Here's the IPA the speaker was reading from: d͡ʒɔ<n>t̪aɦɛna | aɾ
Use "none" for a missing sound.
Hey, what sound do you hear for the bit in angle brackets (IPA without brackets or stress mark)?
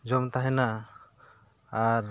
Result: m